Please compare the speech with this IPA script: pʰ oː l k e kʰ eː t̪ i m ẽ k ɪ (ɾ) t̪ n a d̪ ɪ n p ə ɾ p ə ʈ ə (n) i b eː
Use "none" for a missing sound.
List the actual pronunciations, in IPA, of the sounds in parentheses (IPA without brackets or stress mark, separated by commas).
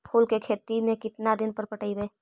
none, none